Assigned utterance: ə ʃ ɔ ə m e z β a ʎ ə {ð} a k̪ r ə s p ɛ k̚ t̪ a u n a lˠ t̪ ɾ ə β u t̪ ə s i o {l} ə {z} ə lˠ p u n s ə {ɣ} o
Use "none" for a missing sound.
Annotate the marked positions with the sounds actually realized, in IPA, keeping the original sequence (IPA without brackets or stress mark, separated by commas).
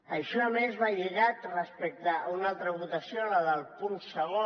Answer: ɣ, l, ð, ɣ